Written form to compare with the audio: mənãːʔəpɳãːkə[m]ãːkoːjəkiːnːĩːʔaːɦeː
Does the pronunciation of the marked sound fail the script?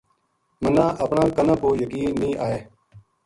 yes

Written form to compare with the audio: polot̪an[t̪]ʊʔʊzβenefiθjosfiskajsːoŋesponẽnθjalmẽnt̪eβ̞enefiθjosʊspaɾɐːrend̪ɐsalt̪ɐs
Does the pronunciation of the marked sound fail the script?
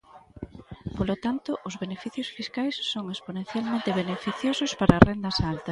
no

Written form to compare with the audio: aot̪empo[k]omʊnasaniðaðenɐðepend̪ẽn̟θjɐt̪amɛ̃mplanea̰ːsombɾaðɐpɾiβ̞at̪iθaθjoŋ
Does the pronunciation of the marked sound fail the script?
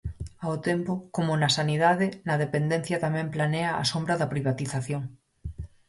no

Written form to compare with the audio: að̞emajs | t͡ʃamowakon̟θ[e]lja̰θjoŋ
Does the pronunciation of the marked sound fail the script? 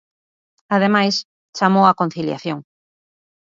yes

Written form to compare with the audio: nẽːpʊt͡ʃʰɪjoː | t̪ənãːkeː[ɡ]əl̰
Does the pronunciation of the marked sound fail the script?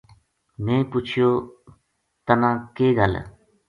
no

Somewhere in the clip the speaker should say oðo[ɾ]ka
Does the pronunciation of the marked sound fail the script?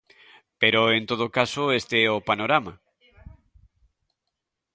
yes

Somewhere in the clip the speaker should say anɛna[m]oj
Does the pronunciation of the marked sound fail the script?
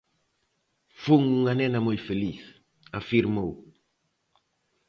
no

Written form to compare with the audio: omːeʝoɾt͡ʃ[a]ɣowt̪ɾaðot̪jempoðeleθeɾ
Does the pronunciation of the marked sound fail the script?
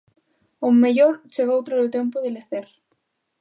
yes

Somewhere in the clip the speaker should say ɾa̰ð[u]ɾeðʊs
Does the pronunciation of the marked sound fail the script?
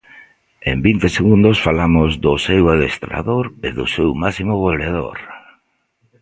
yes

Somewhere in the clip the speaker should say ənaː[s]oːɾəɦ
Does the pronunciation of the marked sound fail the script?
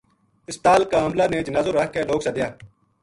yes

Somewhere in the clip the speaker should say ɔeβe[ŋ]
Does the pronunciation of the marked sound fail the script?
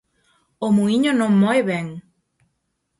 no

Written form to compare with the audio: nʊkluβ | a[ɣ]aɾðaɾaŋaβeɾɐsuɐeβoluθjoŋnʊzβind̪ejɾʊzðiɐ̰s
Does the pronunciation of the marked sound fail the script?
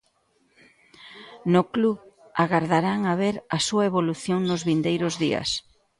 no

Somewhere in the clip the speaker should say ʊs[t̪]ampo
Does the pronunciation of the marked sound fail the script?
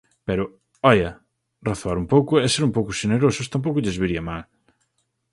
no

